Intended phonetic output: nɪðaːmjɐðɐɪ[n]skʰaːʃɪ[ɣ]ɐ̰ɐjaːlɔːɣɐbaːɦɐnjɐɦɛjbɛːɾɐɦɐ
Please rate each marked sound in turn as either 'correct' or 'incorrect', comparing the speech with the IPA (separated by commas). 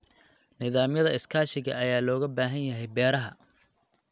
incorrect, correct